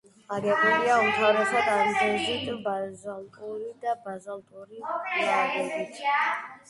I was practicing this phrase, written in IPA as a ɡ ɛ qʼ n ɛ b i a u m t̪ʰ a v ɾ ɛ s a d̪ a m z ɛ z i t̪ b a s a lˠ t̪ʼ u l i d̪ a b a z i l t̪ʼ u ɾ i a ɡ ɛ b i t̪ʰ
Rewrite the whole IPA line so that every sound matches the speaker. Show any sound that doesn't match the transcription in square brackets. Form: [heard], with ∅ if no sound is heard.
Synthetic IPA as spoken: a ɡ ɛ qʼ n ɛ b i a u m t̪ʰ a v ɾ ɛ s a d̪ a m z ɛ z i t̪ b a [z] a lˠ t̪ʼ u [ɾ] i d̪ a b a z [a] l t̪ʼ u ɾ i a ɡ ɛ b i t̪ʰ

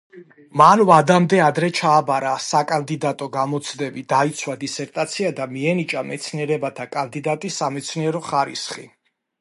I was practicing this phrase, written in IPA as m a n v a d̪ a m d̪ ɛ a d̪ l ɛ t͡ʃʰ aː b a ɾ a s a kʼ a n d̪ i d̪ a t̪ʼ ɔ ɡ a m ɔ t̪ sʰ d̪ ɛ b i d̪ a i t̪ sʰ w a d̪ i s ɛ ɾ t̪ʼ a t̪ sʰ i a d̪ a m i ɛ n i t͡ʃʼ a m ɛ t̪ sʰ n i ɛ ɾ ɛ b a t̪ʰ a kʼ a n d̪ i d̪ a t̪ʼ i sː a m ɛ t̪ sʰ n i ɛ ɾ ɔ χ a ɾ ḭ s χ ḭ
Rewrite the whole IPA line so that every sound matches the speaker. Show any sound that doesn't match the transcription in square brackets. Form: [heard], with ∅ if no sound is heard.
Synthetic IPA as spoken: m a n v a d̪ a m d̪ ɛ a d̪ [ɾ] ɛ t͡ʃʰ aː b a ɾ a s a kʼ a n d̪ i d̪ a t̪ʼ ɔ ɡ a m ɔ t̪ sʰ d̪ ɛ b i d̪ a i t̪ sʰ w a d̪ i s ɛ ɾ t̪ʼ a t̪ sʰ i a d̪ a m i ɛ n i t͡ʃʼ a m ɛ t̪ sʰ n i ɛ ɾ ɛ b a t̪ʰ a kʼ a n d̪ i d̪ a t̪ʼ i sː a m ɛ t̪ sʰ n i ɛ ɾ ɔ χ a ɾ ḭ s χ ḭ

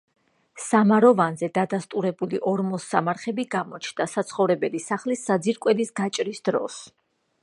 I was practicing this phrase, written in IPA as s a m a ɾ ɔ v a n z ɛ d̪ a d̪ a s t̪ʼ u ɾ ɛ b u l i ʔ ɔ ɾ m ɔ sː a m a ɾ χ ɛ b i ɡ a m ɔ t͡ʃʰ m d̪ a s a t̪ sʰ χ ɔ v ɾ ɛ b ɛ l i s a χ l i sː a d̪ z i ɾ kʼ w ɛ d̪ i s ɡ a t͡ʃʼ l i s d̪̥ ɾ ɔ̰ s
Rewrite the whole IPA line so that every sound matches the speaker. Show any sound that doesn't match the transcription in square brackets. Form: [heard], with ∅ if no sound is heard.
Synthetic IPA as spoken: s a m a ɾ ɔ v a n z ɛ d̪ a d̪ a s t̪ʼ u ɾ ɛ b u l i ʔ ɔ ɾ m ɔ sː a m a ɾ χ ɛ b i ɡ a m ɔ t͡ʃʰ [n] d̪ a s a t̪ sʰ χ ɔ v ɾ ɛ b ɛ l i s a χ l i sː a d̪ z i ɾ kʼ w ɛ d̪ i s ɡ a t͡ʃʼ [ɾ] i s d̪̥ ɾ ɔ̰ s

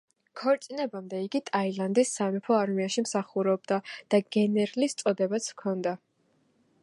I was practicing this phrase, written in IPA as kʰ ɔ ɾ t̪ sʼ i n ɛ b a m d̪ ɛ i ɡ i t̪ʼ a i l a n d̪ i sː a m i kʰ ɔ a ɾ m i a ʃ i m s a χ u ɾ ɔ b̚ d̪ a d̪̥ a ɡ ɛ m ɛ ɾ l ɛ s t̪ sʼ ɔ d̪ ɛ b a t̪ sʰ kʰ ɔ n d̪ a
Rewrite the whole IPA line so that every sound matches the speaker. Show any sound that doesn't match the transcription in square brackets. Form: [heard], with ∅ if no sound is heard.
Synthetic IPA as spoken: kʰ ɔ ɾ t̪ sʼ i n ɛ b a m d̪ ɛ i ɡ i t̪ʼ a i l a n d̪ i sː a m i [pʰ] ɔ a ɾ m i a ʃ i m s a χ u ɾ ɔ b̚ d̪ a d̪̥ a ɡ ɛ [n] ɛ ɾ l [i] s t̪ sʼ ɔ d̪ ɛ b a t̪ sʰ kʰ ɔ n d̪ a

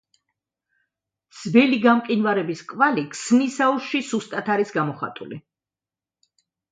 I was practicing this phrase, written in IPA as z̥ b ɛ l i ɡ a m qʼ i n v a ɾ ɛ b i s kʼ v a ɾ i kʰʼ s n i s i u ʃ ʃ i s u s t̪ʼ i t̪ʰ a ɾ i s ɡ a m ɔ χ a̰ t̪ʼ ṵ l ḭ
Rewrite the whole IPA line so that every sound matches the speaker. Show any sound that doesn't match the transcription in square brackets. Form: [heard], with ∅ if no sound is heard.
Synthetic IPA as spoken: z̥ b ɛ l i ɡ a m qʼ i n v a ɾ ɛ b i s kʼ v a [l] i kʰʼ s n i s [a] u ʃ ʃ i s u s t̪ʼ [a] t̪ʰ a ɾ i s ɡ a m ɔ χ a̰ t̪ʼ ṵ l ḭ

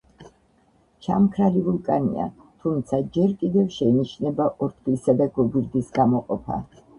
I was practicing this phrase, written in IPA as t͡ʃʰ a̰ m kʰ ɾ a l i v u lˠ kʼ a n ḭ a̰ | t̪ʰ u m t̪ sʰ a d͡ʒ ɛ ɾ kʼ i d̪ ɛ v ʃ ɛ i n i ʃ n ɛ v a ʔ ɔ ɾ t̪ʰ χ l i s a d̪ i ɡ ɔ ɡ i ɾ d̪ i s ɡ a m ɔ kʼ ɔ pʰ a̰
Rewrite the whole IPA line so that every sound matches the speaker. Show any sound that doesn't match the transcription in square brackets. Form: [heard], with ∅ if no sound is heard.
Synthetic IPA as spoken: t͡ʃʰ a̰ m kʰ ɾ a l i v u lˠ kʼ a n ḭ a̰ | t̪ʰ u m t̪ sʰ a d͡ʒ ɛ ɾ kʼ i d̪ ɛ v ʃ ɛ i n i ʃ n ɛ [b] a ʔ ɔ ɾ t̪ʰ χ l i s a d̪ [a] ɡ ɔ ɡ i ɾ d̪ i s ɡ a m ɔ [qʼ] ɔ pʰ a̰

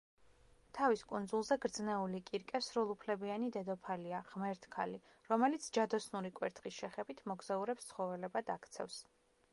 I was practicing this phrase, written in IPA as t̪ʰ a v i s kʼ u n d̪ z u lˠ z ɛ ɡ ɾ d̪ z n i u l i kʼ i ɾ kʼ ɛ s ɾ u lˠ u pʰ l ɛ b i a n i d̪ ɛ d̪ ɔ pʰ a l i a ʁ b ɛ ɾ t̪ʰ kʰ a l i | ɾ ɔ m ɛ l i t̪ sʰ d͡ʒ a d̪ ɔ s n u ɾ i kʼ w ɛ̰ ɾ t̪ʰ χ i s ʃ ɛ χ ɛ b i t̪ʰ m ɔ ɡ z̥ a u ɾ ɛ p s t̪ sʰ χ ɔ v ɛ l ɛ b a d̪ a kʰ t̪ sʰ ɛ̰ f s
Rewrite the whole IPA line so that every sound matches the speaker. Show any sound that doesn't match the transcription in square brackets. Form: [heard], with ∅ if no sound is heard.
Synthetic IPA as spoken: t̪ʰ a v i s kʼ u n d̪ z u lˠ z ɛ ɡ ɾ d̪ z n [ɛ] u l i kʼ i ɾ kʼ ɛ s ɾ u lˠ u pʰ l ɛ b i a n i d̪ ɛ d̪ ɔ pʰ a l i a ʁ [m] ɛ ɾ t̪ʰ kʰ a l i | ɾ ɔ m ɛ l i t̪ sʰ d͡ʒ a d̪ ɔ s n u ɾ i kʼ w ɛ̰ ɾ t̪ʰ χ i s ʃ ɛ χ ɛ b i t̪ʰ m ɔ ɡ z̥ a u ɾ ɛ p s t̪ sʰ χ ɔ v ɛ l ɛ b a d̪ a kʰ t̪ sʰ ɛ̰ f s

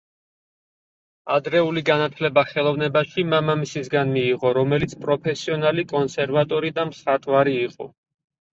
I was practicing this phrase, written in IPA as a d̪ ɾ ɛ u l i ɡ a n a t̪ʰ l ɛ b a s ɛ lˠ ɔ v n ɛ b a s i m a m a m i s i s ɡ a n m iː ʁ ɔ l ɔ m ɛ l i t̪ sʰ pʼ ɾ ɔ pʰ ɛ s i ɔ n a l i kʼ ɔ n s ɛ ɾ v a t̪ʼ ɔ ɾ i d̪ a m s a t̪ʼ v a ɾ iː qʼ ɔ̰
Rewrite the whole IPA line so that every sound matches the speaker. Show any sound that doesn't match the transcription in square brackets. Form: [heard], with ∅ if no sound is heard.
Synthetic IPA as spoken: a d̪ ɾ ɛ u l i ɡ a n a t̪ʰ l ɛ b a [χ] ɛ lˠ ɔ v n ɛ b a [ʃ] i m a m a m i s i s ɡ a n m iː ʁ ɔ [ɾ] ɔ m ɛ l i t̪ sʰ pʼ ɾ ɔ pʰ ɛ s i ɔ n a l i kʼ ɔ n s ɛ ɾ v a t̪ʼ ɔ ɾ i d̪ a m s a t̪ʼ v a ɾ iː qʼ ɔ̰

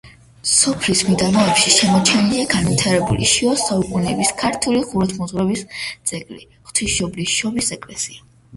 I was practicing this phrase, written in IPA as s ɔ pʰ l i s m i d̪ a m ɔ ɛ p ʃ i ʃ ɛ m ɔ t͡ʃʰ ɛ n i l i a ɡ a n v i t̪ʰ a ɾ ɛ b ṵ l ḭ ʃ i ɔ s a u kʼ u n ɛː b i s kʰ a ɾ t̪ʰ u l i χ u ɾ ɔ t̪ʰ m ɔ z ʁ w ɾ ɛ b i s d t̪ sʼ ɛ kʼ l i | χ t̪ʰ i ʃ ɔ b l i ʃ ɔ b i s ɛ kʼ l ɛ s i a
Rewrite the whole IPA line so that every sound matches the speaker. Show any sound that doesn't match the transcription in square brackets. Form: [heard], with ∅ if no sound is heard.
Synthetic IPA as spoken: s ɔ pʰ l i s m i d̪ a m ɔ ɛ p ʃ i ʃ ɛ m ɔ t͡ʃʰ ɛ n i l i a ɡ a n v i t̪ʰ a ɾ ɛ b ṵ l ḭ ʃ i ɔ s a u kʼ u n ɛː b i s kʰ a ɾ t̪ʰ u l i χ u ɾ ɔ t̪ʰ m ɔ z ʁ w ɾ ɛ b i s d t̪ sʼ ɛ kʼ l i | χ t̪ʰ i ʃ ɔ b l i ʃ ɔ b i s ɛ kʼ l ɛ s i a

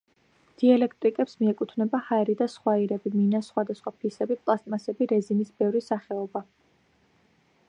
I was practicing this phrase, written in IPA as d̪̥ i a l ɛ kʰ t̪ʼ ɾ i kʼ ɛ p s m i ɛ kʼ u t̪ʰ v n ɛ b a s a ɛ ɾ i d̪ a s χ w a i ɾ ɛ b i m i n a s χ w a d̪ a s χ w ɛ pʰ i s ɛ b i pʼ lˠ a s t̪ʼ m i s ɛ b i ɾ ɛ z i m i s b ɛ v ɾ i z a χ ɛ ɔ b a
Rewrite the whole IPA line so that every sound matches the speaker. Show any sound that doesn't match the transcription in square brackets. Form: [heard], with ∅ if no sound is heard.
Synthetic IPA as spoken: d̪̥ i a l ɛ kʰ t̪ʼ ɾ i kʼ ɛ p s m i ɛ kʼ u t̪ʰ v n ɛ b a [h] a ɛ ɾ i d̪ a s χ w a i ɾ ɛ b i m i n a s χ w a d̪ a s χ w [a] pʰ i s ɛ b i pʼ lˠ a s t̪ʼ m [a] s ɛ b i ɾ ɛ z i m i s b ɛ v ɾ i [s] a χ ɛ ɔ b a

